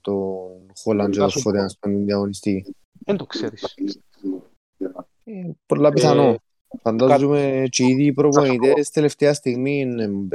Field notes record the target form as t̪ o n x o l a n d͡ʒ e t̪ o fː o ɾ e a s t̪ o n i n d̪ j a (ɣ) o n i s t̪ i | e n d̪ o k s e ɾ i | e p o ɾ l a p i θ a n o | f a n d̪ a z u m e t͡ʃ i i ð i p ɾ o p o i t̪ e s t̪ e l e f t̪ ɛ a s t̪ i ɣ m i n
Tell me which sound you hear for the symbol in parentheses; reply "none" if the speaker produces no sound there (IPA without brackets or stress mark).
ɣ